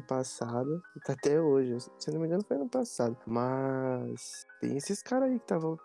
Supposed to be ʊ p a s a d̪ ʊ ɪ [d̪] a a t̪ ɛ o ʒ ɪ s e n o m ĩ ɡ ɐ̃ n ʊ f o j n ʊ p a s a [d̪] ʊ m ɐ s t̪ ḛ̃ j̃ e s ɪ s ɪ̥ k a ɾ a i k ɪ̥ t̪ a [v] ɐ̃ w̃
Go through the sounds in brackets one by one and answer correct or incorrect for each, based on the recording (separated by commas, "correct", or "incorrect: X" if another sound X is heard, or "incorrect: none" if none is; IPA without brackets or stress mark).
incorrect: t̪, correct, correct